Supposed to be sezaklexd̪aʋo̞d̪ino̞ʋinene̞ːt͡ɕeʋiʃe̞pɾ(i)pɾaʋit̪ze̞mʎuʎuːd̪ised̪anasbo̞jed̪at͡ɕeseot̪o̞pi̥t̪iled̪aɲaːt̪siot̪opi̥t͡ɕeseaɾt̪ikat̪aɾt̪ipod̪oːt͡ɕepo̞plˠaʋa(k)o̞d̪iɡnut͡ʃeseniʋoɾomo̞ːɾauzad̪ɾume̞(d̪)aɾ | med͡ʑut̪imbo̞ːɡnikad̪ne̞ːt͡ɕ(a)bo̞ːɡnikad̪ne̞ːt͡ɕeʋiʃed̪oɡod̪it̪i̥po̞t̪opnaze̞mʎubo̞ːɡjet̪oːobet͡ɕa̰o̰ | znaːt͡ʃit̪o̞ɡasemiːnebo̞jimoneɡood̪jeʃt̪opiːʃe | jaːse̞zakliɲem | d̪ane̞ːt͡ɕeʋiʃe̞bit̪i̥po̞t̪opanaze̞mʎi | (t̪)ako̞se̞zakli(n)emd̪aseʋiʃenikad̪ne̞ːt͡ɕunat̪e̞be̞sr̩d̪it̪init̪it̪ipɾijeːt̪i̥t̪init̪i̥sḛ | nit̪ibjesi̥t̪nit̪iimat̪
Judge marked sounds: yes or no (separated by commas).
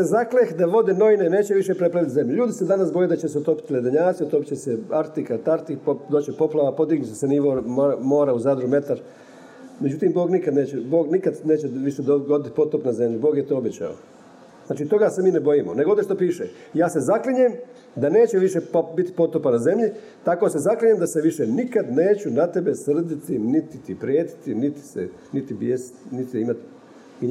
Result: no, no, no, no, yes, no